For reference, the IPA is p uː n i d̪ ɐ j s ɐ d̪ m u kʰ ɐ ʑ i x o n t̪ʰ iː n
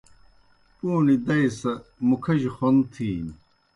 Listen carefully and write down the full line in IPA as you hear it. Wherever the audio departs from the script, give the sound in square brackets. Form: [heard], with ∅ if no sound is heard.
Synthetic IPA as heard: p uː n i d̪ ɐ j s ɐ [∅] m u kʰ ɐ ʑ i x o n t̪ʰ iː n